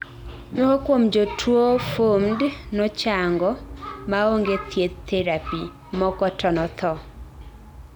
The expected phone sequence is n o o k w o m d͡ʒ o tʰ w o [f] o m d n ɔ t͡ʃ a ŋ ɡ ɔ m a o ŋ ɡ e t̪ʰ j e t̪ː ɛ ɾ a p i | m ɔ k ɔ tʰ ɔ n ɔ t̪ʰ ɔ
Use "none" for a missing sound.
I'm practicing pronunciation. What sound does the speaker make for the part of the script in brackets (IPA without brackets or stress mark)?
f